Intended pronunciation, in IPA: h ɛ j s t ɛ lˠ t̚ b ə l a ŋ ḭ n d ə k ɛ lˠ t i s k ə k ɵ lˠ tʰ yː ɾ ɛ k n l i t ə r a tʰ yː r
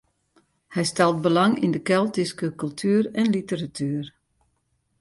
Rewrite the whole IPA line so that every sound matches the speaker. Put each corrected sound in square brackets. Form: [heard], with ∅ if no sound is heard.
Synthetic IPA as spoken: h ɛ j s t ɛ lˠ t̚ b ə l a ŋ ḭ n d ə k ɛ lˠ t i s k ə k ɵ lˠ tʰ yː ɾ ɛ [∅] n l i t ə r a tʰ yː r